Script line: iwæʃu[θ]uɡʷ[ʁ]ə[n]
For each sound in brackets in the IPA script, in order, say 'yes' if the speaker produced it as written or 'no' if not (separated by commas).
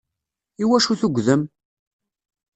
yes, no, no